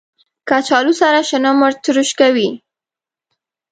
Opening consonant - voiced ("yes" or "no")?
no